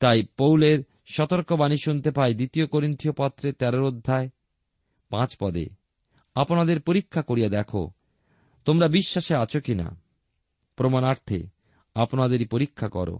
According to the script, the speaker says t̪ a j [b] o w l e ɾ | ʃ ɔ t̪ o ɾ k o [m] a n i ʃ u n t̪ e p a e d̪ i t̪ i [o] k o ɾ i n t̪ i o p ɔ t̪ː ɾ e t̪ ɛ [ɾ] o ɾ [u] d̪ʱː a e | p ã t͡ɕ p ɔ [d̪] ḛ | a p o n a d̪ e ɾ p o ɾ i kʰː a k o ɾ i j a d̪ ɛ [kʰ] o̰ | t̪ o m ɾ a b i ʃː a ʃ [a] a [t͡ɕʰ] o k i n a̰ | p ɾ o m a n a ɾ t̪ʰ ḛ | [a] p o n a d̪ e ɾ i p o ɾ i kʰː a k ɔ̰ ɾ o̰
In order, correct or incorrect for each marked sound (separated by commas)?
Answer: incorrect, incorrect, correct, correct, incorrect, correct, correct, incorrect, correct, correct